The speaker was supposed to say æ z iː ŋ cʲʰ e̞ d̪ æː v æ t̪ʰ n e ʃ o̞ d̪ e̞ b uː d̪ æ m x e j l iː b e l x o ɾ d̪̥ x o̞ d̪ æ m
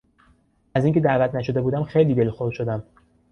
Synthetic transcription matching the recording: æ z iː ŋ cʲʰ e̞ d̪ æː v æ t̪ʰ n æ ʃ o̞ d̪ e̞ b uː d̪ æ m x e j l iː b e l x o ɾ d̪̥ ʃ o̞ d̪ æ m

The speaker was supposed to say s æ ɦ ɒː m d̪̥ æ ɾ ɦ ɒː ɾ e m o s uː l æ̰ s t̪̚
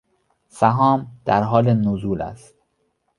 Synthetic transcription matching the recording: s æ ɦ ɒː m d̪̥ æ ɾ ɦ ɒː l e n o z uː l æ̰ s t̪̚

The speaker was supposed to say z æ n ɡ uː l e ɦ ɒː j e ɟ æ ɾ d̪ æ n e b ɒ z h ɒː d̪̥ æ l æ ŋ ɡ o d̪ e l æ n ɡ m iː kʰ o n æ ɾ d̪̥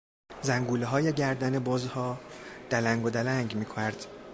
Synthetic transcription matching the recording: z æ ŋ ɡ uː l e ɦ ɒː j e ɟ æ ɾ d̪ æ n e b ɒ z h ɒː d̪̥ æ l æ ŋ ɡ o d̪ æ l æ ŋ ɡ m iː kʰ o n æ ɾ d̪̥

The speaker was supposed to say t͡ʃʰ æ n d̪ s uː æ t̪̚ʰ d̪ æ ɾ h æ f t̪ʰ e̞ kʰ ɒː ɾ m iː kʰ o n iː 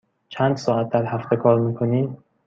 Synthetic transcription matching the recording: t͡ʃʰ æ n d̪ s ɒː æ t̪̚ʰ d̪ æ ɾ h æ f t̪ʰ e̞ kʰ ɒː ɾ m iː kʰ o n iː

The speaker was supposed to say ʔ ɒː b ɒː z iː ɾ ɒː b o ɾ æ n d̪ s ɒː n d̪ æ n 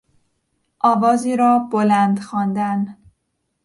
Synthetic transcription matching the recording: ʔ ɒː v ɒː z iː ɾ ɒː b o l æ n d̪ x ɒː n d̪ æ n

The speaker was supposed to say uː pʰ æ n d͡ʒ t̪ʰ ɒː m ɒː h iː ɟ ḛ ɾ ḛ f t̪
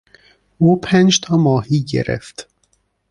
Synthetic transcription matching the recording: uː pʰ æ n d͡ʒ t̪ʰ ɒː m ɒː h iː ɟ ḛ ɾ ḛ f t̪

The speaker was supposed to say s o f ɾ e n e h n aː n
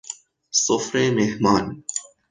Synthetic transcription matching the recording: s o f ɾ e m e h m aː n

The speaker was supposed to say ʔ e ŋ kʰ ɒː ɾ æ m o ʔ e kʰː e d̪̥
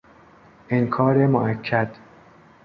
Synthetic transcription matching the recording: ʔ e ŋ kʰ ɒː ɾ e m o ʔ æ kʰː æ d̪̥

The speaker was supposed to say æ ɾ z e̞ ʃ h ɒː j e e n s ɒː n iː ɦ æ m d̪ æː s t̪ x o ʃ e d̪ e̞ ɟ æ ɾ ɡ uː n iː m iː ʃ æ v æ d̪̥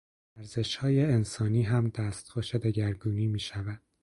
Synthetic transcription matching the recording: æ ɾ z e̞ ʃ h ɒː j e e n s ɒː n iː ɦ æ m d̪ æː s t̪ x o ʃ e d̪ e̞ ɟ æ ɾ ɡ uː n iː m iː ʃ æ v æ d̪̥

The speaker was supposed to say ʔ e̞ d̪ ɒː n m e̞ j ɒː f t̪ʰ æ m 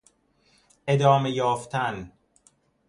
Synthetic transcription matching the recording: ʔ e̞ d̪ ɒː m e̞ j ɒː f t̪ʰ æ n

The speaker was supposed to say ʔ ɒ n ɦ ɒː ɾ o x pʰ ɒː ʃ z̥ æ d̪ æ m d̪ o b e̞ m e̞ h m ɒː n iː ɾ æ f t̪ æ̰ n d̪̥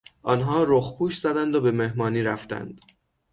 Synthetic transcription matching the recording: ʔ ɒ n ɦ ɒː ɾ o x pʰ uː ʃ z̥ æ d̪ æ n d̪ o b e̞ m e̞ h m ɒː n iː ɾ æ f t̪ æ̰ n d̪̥

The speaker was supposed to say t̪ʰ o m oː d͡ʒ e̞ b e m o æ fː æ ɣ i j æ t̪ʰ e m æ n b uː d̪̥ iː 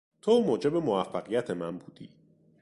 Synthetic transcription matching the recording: t̪ʰ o m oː d͡ʒ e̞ b e m o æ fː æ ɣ i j æ t̪ʰ e m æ n b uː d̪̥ iː

